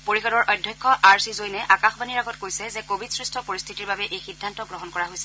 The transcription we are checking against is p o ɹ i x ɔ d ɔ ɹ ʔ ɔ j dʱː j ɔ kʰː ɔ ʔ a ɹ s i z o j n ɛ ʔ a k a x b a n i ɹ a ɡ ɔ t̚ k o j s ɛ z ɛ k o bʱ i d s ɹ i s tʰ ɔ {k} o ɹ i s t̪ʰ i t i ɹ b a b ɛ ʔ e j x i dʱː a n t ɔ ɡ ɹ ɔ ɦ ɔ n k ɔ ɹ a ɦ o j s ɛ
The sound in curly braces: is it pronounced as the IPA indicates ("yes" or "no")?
no